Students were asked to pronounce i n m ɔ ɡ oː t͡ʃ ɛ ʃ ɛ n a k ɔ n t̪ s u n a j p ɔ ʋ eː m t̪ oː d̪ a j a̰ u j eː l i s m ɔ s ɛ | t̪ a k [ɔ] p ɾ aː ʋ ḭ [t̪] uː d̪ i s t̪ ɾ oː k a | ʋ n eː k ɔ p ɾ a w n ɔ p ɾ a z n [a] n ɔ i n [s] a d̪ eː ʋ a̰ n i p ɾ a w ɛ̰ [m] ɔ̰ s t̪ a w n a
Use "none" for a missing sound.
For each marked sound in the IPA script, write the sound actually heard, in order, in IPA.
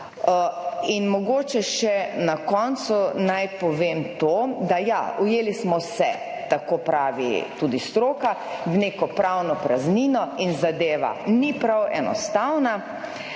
o, t̪, i, z, n

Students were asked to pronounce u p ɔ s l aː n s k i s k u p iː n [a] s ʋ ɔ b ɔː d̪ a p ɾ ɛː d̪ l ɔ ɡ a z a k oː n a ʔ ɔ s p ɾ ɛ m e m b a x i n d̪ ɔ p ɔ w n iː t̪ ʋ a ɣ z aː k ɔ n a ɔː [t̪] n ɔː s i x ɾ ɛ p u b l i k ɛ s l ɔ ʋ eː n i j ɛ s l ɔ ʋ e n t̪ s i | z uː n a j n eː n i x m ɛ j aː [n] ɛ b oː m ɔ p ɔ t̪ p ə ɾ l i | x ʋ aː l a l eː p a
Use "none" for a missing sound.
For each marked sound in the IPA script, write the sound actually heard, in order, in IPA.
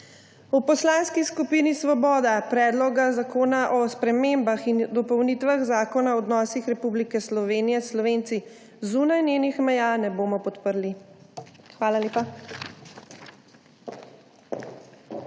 i, d̪, n

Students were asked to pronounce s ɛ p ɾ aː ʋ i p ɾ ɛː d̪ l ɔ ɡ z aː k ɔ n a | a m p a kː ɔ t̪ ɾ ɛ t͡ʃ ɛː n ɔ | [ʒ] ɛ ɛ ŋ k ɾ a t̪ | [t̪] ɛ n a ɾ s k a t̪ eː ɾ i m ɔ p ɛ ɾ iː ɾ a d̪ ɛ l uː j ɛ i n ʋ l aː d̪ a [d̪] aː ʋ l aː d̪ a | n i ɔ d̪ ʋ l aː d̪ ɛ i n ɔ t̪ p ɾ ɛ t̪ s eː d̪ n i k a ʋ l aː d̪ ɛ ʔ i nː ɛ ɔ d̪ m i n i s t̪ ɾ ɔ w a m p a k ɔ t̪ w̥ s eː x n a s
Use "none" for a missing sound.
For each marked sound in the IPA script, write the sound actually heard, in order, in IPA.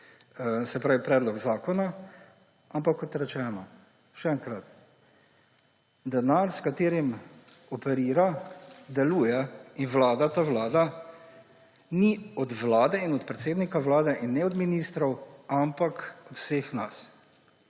ʃ, d̪, t̪

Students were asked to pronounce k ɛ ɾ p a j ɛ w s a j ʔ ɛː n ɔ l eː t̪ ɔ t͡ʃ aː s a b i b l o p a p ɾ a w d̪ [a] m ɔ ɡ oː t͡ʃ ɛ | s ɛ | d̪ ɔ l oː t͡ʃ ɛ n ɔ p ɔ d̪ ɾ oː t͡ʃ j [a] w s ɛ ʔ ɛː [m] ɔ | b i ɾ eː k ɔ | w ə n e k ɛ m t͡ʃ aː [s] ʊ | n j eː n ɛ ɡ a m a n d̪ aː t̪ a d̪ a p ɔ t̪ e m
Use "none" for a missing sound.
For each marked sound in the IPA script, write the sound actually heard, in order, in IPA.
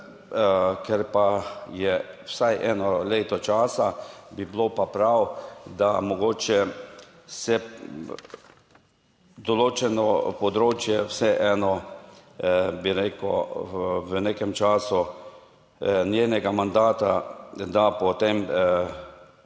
a, ɛ, n, s

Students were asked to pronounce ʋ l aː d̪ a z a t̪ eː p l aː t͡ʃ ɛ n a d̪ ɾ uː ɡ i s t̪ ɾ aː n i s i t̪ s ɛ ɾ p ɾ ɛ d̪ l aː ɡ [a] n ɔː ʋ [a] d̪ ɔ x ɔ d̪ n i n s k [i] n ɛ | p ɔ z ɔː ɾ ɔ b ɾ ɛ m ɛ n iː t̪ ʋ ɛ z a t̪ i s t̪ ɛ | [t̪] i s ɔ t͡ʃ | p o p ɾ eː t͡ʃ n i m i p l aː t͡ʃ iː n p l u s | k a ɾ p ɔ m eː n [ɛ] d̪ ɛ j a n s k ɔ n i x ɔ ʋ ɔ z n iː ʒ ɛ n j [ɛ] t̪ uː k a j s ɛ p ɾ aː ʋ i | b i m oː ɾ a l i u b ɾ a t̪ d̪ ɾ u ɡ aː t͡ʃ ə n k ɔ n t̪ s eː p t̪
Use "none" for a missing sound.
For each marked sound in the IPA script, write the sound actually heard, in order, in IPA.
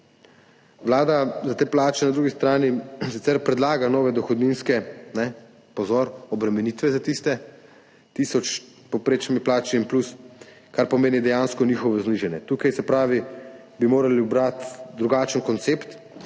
a, ɛ, ɛ, t̪, i, ɛ

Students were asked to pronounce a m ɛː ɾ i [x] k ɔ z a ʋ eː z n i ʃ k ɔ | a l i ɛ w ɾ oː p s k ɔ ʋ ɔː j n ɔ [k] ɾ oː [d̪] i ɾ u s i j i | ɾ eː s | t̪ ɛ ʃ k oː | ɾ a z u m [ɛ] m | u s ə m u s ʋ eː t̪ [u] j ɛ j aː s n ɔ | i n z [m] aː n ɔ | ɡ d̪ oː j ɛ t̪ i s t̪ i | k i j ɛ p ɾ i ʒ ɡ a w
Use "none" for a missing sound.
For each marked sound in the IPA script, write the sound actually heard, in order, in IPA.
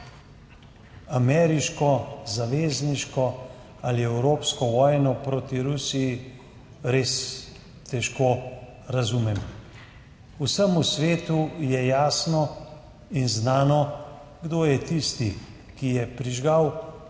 ʃ, p, t̪, ɛ, u, n

